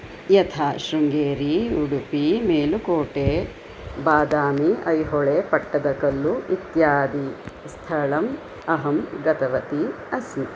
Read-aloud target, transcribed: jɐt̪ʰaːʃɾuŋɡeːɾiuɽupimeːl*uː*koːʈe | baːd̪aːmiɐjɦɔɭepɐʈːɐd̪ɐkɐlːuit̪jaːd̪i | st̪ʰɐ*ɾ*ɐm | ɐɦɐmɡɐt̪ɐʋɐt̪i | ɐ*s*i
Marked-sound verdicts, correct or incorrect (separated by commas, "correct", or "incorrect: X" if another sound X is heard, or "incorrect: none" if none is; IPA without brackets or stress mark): incorrect: u, incorrect: ɭ, correct